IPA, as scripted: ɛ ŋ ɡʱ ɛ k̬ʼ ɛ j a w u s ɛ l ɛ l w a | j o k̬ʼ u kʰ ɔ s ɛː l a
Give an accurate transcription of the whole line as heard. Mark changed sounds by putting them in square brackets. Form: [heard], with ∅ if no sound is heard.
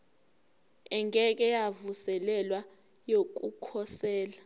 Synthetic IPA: ɛ ŋ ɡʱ ɛ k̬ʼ ɛ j a [v] u s ɛ l ɛ l w a | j o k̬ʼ u kʰ ɔ s ɛː l a